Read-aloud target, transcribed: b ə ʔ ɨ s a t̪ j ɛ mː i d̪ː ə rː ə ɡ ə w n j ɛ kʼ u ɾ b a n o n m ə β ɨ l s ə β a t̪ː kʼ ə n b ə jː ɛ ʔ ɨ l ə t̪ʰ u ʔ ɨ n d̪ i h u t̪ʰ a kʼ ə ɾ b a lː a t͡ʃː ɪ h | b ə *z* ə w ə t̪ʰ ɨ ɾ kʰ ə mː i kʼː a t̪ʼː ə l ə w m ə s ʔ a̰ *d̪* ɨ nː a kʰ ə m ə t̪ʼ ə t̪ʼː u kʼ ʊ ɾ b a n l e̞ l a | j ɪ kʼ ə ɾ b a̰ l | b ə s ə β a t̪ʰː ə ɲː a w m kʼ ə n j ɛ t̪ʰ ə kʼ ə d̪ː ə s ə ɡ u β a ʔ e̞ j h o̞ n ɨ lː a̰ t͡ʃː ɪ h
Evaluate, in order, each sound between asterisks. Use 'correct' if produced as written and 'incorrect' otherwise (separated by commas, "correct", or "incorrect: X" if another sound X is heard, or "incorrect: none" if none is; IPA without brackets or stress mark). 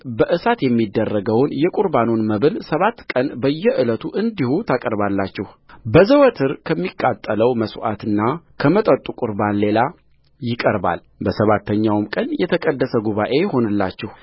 correct, incorrect: t̪